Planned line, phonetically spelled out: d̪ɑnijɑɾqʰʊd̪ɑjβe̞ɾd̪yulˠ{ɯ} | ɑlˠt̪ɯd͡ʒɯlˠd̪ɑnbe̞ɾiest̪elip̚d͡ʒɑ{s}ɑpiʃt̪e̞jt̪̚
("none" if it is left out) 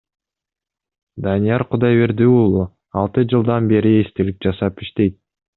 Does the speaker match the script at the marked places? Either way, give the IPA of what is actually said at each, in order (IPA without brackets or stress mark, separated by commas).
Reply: u, s